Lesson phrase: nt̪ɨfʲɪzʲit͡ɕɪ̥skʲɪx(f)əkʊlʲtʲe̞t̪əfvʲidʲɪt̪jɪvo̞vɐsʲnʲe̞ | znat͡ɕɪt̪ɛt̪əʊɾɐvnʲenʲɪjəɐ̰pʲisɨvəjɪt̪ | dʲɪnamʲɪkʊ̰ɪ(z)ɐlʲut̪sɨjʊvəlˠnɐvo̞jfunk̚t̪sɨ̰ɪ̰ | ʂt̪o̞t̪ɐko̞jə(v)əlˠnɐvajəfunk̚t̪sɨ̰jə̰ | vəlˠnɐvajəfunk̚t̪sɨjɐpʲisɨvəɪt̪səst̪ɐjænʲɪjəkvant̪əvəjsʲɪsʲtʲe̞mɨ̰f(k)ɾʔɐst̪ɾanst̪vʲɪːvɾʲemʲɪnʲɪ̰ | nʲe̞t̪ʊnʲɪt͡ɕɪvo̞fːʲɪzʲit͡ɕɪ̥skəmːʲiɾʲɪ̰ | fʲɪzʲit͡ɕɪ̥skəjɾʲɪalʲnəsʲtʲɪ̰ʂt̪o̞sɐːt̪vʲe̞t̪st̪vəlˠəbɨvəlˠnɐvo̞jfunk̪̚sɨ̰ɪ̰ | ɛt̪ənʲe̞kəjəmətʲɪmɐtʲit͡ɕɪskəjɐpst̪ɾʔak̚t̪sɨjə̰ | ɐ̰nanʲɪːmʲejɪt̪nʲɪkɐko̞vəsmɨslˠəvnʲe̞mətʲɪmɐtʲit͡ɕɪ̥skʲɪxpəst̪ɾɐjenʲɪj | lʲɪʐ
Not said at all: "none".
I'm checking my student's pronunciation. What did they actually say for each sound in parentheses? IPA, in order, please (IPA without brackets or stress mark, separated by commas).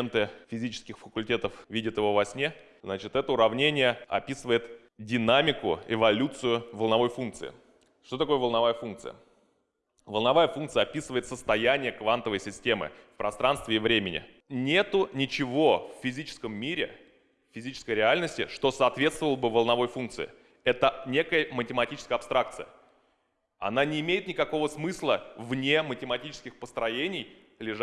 f, v, v, p